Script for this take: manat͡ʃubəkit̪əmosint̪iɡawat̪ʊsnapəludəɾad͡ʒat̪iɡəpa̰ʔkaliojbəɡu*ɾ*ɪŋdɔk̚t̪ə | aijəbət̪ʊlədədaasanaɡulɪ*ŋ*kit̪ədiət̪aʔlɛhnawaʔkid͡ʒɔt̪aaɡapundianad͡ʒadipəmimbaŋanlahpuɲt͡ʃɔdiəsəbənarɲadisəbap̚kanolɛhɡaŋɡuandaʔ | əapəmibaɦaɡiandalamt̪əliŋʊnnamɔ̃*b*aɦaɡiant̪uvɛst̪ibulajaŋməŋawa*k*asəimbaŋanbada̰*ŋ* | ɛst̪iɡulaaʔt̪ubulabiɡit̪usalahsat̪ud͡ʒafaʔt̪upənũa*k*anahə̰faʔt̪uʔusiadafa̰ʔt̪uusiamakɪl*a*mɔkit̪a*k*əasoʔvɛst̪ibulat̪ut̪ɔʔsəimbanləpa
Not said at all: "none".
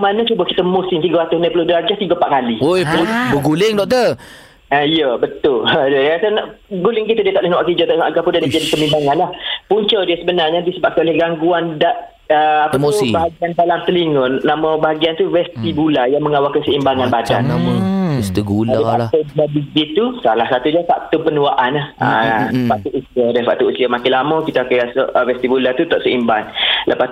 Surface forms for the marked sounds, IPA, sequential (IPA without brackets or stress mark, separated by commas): l, ŋ, b, k, n, ʔ, a, k